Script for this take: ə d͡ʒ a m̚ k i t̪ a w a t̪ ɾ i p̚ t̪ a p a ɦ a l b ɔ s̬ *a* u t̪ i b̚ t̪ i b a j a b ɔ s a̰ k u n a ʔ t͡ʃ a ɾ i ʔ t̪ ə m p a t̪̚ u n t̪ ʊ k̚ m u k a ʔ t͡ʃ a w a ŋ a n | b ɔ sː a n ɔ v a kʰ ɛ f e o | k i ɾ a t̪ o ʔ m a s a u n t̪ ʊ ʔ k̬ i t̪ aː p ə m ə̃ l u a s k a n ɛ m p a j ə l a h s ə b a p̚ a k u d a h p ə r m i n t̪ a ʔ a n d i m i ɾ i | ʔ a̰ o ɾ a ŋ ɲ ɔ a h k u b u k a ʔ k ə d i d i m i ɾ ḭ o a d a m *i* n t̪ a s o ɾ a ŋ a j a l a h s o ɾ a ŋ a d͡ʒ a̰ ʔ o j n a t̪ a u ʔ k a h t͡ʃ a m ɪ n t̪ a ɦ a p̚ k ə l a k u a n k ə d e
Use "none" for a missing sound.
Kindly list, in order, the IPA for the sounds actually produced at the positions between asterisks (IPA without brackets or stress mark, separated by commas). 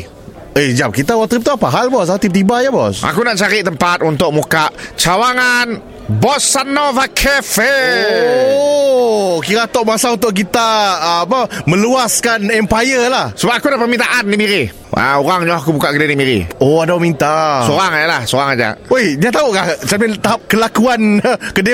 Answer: a, i